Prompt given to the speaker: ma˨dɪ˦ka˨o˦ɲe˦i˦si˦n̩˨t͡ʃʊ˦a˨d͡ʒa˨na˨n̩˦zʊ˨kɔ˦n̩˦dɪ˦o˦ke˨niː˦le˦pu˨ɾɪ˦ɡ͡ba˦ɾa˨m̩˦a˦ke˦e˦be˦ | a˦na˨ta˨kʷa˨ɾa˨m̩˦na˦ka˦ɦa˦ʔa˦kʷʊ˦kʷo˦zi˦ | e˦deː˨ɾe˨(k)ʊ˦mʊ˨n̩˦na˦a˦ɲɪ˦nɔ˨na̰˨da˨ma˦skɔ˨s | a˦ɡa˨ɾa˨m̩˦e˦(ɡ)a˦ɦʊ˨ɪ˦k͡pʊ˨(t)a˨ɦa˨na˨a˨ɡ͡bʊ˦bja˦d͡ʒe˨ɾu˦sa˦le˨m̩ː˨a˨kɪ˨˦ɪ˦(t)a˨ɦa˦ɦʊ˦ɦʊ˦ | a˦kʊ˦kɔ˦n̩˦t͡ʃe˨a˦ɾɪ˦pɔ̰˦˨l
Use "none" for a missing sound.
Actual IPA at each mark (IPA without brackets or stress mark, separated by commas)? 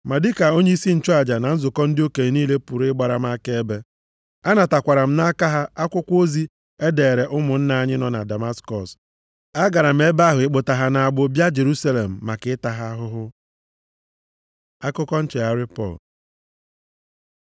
ʔ, b, t, t